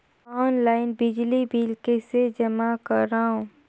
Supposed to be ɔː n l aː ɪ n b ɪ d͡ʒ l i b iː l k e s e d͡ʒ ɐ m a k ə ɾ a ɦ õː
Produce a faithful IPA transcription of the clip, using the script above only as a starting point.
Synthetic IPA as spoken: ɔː n l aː ɪ n b ɪ d͡ʒ l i b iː l k e s e d͡ʒ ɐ m a k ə ɾ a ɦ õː